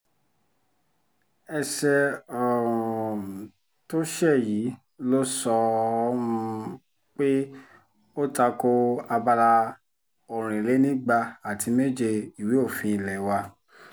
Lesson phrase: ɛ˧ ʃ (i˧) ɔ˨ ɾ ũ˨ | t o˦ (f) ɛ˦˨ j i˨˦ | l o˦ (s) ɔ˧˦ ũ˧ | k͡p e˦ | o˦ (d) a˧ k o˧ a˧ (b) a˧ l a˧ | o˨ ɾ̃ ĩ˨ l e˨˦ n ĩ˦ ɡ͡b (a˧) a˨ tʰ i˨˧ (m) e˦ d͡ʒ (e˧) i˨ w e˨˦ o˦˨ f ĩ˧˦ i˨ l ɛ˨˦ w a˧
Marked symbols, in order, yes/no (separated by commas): no, no, yes, no, yes, yes, yes, yes